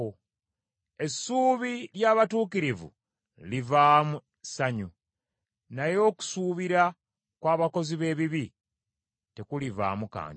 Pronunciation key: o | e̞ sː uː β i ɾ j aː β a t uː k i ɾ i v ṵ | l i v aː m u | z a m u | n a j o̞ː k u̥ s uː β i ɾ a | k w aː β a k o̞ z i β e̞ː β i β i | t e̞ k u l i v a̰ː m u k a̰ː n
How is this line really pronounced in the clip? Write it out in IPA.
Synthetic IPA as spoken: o | e̞ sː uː β i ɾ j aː β a t uː k i ɾ i v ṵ | l i v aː m u | s a ɲ u | n a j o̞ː k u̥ s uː β i ɾ a | k w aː β a k o̞ z i β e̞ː β i β i | t e̞ k u l i v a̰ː m u k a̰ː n